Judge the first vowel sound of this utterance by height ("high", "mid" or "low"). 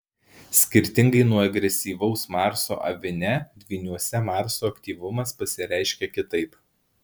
high